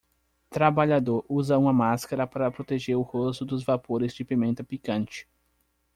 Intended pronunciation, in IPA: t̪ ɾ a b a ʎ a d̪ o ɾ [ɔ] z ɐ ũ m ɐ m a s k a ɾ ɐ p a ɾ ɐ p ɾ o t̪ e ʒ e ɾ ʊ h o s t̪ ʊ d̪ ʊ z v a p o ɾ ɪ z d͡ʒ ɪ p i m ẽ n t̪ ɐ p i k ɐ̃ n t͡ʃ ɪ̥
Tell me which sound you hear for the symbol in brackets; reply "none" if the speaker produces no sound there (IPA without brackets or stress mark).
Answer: u